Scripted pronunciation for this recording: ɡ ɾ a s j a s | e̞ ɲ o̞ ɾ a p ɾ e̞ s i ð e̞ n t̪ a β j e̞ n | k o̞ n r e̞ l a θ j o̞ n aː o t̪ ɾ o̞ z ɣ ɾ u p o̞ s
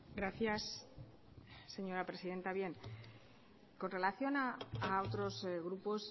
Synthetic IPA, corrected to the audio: ɡ ɾ a θ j a s | e̞ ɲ o̞ ɾ a p ɾ e̞ s i ð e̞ n t̪ a β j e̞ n | k o̞ n r e̞ l a θ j o̞ n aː o t̪ ɾ o̞ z ɣ ɾ u p o̞ s